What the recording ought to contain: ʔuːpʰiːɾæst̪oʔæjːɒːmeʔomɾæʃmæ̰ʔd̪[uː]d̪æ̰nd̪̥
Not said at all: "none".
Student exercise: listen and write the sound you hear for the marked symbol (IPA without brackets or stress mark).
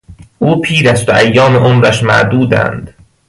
uː